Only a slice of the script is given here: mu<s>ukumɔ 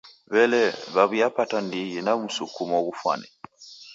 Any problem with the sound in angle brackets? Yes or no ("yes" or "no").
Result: no